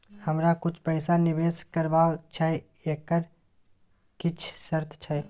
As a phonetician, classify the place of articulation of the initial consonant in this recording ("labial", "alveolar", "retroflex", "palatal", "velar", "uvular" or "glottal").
glottal